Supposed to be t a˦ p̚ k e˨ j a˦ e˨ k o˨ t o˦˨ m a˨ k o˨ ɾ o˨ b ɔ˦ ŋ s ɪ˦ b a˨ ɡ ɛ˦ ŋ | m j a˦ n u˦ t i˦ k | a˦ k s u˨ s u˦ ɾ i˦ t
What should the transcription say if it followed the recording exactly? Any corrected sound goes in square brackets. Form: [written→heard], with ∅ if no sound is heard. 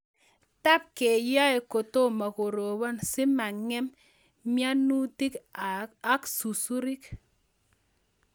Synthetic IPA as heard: t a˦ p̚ k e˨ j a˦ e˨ k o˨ t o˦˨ m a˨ k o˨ ɾ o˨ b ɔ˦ [ŋ→n] s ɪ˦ [b→m] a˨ [ɡ→ŋ] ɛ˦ [ŋ→m] | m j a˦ n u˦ t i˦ k | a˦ k s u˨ s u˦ ɾ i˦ [t→k]